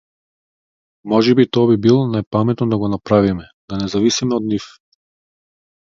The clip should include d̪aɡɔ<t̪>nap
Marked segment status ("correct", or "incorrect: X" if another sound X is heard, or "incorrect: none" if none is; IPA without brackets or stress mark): incorrect: none